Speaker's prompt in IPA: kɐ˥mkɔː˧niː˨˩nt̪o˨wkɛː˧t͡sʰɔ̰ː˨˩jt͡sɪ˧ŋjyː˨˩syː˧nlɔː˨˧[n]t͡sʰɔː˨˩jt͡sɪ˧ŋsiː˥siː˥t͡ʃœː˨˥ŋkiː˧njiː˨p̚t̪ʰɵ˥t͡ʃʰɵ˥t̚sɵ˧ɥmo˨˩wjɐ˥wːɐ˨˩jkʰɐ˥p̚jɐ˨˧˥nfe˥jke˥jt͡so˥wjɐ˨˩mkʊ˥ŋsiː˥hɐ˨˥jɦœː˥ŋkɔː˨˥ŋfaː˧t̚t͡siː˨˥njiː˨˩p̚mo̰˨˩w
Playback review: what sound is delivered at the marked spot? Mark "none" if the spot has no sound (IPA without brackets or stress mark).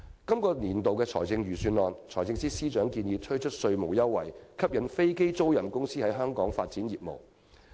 n